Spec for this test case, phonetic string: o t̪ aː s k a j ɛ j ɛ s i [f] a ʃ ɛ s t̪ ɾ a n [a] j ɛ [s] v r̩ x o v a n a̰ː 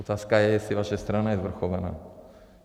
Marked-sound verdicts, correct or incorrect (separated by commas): incorrect, correct, incorrect